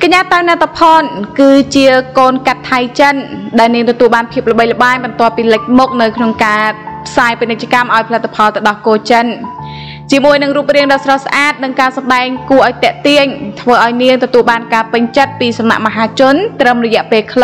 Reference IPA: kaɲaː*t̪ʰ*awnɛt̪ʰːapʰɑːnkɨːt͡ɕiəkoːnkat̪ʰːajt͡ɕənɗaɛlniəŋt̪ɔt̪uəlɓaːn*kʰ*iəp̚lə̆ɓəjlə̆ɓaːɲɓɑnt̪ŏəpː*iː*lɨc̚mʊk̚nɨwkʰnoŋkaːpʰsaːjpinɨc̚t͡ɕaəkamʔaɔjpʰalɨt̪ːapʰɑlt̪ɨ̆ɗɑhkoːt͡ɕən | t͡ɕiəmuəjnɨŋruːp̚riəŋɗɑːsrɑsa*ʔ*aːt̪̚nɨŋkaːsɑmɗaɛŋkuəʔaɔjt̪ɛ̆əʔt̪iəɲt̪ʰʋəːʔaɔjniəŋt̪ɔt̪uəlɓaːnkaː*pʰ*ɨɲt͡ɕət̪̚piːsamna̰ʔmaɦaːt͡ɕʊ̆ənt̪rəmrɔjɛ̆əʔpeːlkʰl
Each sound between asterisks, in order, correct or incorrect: incorrect: t̪, incorrect: pʰ, correct, correct, incorrect: p

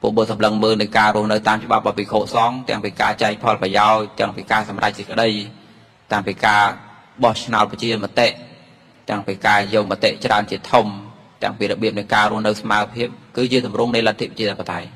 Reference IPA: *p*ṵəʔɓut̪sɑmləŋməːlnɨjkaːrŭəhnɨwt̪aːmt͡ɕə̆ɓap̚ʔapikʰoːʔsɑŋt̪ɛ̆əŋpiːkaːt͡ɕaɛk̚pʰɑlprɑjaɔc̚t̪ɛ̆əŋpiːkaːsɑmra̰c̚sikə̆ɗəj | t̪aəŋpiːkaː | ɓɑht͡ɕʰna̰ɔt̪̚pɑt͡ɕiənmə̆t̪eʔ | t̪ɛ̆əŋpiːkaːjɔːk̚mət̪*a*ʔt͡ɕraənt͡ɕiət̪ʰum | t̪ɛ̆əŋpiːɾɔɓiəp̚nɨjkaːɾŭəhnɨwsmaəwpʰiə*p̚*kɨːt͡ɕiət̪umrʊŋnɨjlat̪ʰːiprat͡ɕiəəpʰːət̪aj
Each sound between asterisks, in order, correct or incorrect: correct, incorrect: e, correct

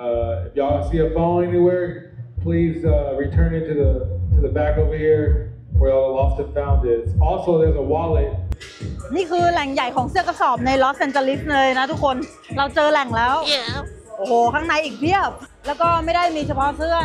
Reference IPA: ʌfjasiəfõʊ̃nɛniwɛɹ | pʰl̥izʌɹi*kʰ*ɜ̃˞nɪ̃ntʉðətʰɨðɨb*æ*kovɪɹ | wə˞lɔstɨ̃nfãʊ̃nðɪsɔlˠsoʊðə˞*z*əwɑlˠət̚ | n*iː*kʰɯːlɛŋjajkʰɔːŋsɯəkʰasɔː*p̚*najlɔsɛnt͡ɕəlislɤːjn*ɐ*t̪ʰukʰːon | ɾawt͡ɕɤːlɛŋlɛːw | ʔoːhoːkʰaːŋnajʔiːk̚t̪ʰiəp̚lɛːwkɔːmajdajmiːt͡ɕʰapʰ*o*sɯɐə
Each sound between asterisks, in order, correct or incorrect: incorrect: tʰ, correct, correct, correct, correct, incorrect: a, incorrect: ɔ

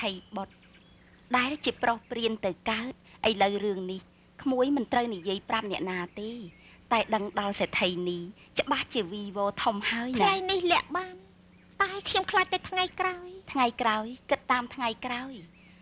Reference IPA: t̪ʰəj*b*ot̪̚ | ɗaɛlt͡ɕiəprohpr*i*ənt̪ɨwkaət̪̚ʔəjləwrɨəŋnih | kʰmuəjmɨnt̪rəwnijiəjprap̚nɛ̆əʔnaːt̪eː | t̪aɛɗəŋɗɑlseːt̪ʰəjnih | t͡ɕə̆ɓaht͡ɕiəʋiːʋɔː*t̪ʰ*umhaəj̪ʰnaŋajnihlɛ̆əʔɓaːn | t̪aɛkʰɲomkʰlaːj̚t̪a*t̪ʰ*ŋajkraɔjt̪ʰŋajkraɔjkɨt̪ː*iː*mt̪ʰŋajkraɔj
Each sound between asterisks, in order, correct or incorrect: incorrect: ɓ, correct, correct, correct, incorrect: aː

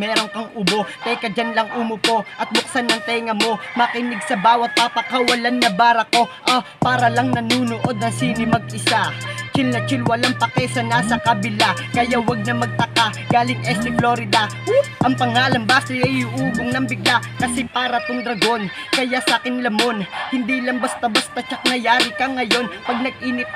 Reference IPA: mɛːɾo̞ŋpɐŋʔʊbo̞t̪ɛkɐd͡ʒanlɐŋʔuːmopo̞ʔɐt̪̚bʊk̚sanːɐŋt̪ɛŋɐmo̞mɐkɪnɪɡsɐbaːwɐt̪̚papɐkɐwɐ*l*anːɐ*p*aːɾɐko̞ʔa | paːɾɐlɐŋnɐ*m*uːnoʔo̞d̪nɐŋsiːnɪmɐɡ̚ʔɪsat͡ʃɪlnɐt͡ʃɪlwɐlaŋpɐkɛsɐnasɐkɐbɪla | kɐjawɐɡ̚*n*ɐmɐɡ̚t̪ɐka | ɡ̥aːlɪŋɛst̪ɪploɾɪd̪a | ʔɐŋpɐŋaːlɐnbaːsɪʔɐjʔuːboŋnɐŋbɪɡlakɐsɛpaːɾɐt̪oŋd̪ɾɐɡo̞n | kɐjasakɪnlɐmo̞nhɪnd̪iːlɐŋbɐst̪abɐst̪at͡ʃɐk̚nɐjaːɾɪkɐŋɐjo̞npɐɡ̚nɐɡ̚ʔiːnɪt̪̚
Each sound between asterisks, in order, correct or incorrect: correct, incorrect: b, incorrect: n, correct

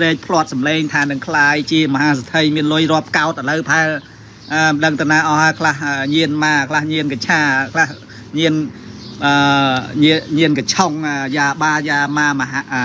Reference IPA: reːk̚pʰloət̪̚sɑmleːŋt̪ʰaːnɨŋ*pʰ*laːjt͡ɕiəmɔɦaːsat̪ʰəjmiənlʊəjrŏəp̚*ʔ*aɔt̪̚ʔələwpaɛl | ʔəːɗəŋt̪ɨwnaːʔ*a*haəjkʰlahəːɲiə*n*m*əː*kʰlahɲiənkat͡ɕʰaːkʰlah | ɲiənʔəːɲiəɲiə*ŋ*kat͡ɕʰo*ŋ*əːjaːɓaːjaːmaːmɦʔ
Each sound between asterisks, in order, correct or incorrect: incorrect: kʰ, incorrect: k, incorrect: ɑ, correct, incorrect: aː, incorrect: n, correct

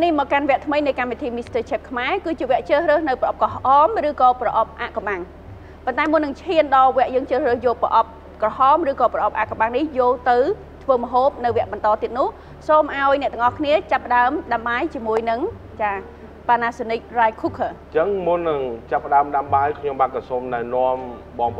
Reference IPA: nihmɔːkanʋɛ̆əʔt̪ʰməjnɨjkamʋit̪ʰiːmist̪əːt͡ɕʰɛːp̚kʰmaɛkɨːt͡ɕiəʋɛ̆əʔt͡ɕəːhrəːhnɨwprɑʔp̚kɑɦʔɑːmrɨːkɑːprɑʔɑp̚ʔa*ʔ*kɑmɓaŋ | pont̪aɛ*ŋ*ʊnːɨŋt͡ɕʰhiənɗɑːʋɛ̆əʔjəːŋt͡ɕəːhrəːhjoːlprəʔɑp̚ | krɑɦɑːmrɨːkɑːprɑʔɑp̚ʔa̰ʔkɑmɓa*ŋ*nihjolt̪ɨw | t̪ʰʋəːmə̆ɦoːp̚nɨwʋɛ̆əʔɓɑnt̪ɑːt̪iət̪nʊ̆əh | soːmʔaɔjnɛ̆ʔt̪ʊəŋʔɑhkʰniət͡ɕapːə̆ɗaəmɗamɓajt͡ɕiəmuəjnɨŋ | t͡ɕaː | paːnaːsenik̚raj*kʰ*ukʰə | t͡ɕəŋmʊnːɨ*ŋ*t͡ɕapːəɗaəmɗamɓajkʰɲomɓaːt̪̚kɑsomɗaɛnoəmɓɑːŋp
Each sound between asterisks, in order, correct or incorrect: correct, incorrect: m, correct, correct, correct

